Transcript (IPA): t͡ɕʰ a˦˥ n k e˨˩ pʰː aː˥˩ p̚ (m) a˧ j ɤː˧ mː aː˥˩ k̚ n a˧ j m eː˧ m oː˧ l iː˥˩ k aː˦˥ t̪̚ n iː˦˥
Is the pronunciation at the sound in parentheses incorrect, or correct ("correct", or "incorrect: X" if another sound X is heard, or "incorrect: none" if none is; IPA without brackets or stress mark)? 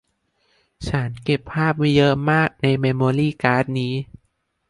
correct